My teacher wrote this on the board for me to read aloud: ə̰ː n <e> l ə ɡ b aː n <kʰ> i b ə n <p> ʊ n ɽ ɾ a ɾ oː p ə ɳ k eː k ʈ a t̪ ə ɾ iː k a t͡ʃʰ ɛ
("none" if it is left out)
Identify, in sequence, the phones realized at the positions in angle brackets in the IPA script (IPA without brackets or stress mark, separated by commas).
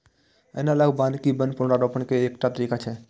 a, k, p